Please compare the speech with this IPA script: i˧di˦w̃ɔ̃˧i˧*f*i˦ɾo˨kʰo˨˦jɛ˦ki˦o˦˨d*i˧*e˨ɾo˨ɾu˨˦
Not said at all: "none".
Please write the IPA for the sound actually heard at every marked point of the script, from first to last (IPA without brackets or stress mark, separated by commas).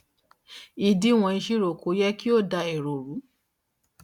ʃ, a˧